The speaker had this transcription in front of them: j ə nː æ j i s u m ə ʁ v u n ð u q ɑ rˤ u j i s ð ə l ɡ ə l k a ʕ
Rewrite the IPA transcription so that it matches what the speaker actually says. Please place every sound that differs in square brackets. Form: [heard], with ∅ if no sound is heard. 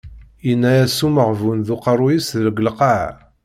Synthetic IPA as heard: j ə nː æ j [æ] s u m ə ʁ v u n ð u q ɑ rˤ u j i s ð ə l ɡ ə l [q] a ʕ